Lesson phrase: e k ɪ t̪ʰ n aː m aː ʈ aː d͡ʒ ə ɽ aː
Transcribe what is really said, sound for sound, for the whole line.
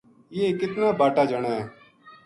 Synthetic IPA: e k ɪ t̪ n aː b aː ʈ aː d͡ʒ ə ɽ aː